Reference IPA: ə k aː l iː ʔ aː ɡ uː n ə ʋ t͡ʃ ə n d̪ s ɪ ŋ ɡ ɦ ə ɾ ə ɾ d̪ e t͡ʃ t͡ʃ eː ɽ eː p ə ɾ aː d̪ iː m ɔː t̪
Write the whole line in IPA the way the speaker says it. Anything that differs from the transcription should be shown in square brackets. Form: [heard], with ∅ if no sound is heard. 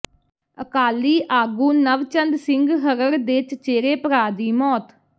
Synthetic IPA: ə k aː l iː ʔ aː ɡ uː n ə ʋ t͡ʃ ə n d̪ s ɪ ŋ ɡ ɦ ə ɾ ə ɾ d̪ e t͡ʃ t͡ʃ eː [ɾ] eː p ə ɾ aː d̪ iː m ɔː t̪